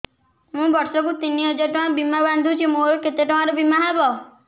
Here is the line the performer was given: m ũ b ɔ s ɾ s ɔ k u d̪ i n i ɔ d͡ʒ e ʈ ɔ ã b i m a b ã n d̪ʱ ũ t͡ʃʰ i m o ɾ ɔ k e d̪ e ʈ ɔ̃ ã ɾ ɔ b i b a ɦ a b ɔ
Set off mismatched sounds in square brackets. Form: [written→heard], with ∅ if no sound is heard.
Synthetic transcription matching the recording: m ũ b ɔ [s→∅] ɾ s ɔ k u [d̪→t̪] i n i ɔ d͡ʒ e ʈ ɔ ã b i m a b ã n d̪ʱ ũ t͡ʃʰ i m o ɾ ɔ k e [d̪→t̪] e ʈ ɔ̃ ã ɾ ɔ b i [b→m] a ɦ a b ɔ